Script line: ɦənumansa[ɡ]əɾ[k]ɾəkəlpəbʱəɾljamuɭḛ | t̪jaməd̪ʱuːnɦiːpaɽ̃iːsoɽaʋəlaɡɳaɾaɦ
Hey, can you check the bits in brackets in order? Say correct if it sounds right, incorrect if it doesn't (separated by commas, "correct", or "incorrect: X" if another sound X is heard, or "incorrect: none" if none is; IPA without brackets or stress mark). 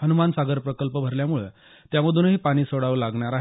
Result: correct, incorrect: p